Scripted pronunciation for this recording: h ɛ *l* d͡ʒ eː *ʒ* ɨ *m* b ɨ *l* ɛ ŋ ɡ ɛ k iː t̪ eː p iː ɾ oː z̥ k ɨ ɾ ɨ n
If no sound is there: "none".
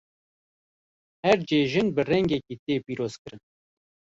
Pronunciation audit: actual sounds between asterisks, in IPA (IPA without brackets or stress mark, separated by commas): ɾ, ʒ, n, r